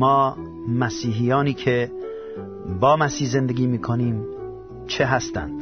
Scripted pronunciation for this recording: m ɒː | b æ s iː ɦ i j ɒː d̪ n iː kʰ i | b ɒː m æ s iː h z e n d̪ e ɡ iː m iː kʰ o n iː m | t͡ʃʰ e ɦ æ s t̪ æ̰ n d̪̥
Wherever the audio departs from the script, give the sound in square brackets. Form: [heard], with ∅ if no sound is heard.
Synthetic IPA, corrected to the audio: m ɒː | [m] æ s iː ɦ i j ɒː [∅] n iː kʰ [e] | b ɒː m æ s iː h z e n d̪ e ɡ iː m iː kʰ o n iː m | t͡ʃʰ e ɦ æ s t̪ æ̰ n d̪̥